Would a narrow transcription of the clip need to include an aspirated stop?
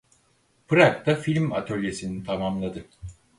yes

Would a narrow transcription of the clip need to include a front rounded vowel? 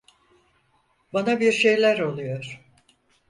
no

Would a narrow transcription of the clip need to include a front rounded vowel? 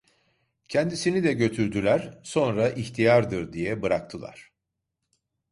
yes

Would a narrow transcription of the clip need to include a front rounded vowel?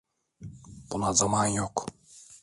no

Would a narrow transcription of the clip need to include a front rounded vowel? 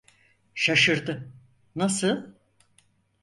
no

